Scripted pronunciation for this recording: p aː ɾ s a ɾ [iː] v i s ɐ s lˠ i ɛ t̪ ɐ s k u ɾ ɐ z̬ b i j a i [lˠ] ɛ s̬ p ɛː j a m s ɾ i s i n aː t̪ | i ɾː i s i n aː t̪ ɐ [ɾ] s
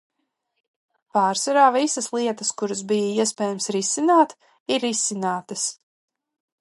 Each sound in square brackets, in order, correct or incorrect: incorrect: aː, incorrect: none, incorrect: none

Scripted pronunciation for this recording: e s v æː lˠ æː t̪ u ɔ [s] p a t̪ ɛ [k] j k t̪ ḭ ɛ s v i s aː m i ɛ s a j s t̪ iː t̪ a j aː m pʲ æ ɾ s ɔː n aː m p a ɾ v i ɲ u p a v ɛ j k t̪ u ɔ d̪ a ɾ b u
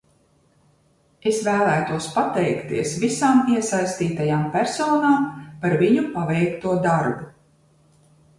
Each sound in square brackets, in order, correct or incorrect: correct, incorrect: none

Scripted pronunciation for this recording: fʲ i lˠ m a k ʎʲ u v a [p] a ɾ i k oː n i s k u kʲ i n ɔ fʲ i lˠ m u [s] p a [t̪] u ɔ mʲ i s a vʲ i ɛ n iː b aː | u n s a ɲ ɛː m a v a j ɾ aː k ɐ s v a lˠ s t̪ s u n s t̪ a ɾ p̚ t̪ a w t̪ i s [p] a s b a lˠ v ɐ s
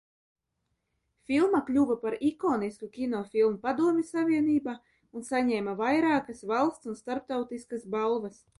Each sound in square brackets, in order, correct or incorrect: correct, incorrect: none, incorrect: d̪, incorrect: k

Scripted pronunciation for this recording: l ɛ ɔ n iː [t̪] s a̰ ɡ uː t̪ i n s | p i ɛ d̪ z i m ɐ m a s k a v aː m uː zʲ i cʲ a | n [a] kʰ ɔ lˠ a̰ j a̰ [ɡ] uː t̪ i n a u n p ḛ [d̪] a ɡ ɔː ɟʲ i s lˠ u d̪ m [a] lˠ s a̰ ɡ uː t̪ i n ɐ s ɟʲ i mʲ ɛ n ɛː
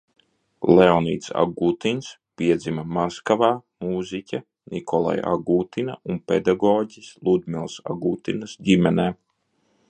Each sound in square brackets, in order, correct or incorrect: correct, incorrect: i, correct, correct, incorrect: i

